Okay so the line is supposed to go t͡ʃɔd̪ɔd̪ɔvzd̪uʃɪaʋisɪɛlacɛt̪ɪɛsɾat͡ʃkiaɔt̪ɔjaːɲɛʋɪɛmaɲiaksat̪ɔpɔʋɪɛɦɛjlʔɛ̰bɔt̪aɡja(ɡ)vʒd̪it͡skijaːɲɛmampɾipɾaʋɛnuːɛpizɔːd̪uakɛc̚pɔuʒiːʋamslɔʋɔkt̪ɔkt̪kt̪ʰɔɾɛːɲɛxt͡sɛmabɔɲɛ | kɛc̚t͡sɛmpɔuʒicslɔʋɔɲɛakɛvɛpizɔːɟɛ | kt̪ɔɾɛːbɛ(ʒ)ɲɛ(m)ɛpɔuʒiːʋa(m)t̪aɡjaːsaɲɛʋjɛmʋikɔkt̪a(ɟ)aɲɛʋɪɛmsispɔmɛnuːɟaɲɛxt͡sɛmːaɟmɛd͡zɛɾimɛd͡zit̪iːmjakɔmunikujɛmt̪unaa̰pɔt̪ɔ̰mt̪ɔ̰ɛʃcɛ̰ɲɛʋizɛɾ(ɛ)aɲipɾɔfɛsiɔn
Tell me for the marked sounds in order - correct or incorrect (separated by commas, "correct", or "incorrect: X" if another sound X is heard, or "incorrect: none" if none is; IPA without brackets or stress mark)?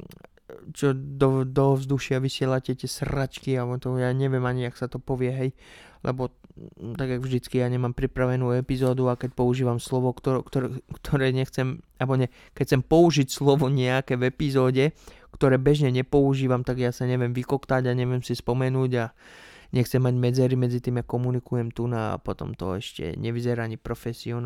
correct, correct, incorrect: ɲ, correct, correct, incorrect: a